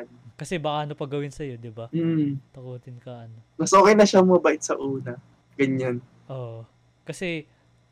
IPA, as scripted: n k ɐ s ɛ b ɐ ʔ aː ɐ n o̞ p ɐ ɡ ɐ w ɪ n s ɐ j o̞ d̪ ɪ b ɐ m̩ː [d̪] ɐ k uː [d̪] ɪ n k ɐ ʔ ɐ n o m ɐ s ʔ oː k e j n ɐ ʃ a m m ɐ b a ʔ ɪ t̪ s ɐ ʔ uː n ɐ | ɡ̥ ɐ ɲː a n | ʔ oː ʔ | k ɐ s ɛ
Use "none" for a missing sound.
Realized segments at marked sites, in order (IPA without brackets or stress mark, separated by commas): t̪, t̪